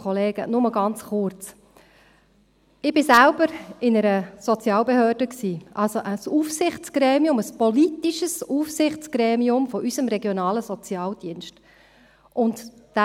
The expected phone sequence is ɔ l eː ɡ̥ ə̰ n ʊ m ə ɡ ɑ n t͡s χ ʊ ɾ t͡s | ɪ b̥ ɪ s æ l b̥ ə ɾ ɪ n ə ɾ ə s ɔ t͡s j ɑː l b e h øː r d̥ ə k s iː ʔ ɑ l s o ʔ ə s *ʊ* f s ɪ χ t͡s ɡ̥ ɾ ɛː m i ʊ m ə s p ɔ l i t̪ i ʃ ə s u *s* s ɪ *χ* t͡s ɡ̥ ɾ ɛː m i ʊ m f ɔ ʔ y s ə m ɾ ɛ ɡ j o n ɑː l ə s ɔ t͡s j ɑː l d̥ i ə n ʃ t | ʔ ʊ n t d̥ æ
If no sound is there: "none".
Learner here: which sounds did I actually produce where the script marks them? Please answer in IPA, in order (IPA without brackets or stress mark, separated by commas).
u, f, χ